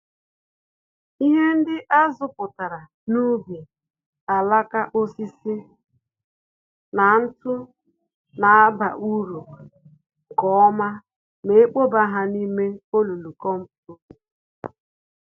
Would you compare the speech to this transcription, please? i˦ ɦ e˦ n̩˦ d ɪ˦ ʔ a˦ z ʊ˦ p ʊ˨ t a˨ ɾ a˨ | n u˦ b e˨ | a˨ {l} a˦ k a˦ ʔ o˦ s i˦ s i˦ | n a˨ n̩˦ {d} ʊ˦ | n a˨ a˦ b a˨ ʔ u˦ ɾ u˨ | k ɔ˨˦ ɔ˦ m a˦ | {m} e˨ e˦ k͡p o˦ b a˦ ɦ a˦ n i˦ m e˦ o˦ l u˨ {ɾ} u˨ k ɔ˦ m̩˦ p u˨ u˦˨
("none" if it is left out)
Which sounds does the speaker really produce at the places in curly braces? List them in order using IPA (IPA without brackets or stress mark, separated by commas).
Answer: l, t, m, l